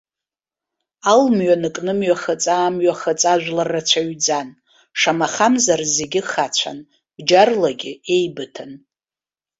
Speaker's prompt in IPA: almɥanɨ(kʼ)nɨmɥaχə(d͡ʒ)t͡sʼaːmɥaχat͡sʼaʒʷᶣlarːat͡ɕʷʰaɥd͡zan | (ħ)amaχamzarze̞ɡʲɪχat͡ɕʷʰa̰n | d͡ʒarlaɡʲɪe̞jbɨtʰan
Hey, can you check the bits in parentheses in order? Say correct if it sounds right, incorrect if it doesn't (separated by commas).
correct, incorrect, incorrect